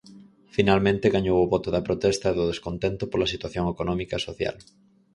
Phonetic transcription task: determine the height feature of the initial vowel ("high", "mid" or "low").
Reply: high